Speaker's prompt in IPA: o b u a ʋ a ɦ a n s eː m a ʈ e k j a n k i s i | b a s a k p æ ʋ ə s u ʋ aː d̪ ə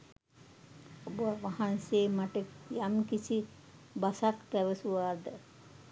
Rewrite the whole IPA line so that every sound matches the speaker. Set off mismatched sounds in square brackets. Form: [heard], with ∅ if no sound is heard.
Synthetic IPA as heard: o b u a ʋ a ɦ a n s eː m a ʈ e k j a [m] k i s i | b a s a k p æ ʋ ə s u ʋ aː d̪ ə